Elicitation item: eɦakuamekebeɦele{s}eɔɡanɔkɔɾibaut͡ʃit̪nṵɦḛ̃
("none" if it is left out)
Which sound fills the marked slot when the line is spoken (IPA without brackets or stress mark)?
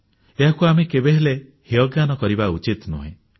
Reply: h